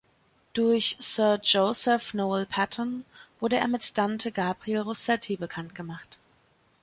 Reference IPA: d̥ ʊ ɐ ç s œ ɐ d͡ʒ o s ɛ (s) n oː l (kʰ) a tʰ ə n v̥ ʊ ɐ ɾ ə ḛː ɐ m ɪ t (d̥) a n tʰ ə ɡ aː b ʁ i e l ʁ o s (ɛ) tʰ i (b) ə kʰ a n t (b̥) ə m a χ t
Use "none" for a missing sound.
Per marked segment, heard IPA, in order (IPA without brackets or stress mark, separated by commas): f, pʰ, d̥, ɛ, b, ɡ̥